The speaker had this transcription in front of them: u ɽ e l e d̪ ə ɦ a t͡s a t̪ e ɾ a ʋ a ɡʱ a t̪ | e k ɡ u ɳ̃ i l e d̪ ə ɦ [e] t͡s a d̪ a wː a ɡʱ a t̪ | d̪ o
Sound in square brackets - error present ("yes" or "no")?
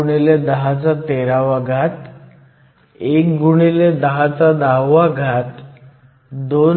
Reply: yes